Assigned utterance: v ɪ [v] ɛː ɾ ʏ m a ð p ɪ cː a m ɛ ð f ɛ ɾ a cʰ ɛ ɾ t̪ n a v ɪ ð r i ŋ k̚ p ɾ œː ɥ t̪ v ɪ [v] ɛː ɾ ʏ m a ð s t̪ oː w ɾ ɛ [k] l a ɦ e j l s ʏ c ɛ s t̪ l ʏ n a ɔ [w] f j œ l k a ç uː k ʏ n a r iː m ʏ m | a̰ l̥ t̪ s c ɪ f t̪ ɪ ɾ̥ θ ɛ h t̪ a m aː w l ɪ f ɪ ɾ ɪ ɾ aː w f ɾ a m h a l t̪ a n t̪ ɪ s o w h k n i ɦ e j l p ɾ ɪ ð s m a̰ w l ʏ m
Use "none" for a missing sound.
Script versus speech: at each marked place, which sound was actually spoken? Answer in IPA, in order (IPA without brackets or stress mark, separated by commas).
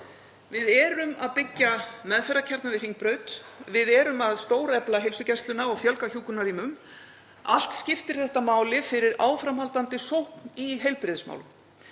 ð, ð, p, ɣ